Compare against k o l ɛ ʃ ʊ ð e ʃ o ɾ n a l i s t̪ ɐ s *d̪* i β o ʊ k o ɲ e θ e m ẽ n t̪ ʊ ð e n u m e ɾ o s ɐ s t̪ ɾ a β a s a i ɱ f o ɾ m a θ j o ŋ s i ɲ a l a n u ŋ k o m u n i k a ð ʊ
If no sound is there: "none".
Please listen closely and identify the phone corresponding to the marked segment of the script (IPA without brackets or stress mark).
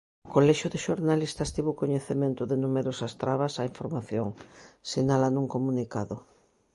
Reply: t̪